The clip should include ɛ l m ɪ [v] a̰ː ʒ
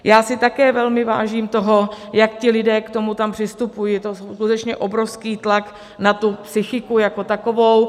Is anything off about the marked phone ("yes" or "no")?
no